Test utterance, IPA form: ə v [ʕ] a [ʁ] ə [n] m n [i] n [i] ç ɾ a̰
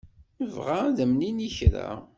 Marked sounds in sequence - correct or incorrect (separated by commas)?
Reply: incorrect, incorrect, incorrect, correct, correct